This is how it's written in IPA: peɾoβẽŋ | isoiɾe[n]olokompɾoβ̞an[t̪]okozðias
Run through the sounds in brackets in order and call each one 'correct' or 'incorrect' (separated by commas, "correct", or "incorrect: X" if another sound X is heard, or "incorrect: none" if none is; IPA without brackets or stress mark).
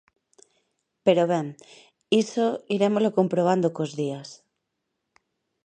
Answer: incorrect: m, incorrect: d̪